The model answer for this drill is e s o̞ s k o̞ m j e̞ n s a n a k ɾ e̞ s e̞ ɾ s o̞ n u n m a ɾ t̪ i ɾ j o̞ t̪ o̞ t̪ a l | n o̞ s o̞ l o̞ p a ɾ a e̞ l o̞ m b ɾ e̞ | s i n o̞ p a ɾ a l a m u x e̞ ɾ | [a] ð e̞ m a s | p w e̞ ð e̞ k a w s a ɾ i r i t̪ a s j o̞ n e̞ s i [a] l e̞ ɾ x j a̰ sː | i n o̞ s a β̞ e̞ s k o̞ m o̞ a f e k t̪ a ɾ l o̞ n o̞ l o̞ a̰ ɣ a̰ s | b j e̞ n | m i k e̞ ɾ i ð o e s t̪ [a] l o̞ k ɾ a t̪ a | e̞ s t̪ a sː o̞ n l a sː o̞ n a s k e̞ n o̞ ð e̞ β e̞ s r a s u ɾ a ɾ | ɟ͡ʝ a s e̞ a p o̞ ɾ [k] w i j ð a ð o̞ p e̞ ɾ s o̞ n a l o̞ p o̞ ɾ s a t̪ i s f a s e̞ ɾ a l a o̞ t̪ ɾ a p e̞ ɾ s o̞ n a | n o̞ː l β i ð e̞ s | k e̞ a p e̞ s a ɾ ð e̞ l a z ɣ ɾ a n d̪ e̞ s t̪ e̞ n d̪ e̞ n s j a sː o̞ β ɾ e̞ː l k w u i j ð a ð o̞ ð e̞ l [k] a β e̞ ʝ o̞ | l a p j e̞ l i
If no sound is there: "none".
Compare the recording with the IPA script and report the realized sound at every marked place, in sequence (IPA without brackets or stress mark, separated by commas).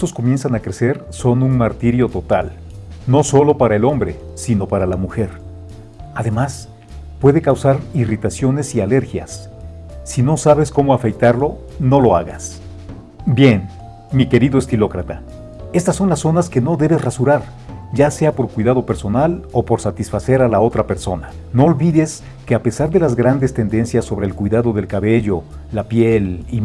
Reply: a, a, i, k, k